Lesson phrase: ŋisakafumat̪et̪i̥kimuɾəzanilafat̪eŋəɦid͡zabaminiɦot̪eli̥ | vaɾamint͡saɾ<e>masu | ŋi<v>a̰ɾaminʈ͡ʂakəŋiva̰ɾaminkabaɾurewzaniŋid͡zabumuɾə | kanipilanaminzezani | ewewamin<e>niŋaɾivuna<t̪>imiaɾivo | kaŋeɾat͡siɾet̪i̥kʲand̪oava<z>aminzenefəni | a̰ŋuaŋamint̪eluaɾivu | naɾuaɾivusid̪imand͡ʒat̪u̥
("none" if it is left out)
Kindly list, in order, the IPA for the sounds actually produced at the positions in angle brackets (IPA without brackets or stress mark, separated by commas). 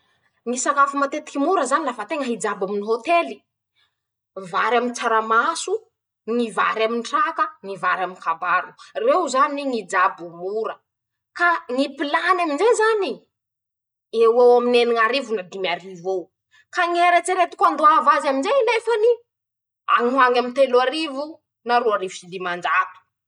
a, v, e, d̪, z